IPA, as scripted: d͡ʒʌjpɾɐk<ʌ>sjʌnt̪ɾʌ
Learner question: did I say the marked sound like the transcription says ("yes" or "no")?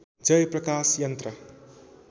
no